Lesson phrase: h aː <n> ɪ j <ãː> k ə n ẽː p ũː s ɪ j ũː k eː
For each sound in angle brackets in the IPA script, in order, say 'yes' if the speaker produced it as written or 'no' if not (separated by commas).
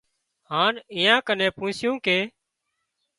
yes, yes